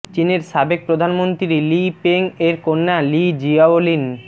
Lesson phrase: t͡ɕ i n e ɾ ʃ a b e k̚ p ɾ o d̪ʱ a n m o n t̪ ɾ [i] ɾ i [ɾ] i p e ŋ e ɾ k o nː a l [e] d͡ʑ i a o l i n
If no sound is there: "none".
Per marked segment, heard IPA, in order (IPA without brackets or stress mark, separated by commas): i, l, i